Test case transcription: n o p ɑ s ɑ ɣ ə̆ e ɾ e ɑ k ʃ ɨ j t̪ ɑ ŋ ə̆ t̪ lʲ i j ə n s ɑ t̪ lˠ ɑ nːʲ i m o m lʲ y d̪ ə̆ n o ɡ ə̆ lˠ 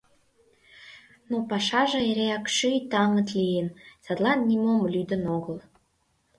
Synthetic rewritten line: n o p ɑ ʃ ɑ ʒ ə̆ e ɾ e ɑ k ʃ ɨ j t̪ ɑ ŋ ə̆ t̪ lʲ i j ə n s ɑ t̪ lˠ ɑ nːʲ i m o m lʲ y d̪ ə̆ n o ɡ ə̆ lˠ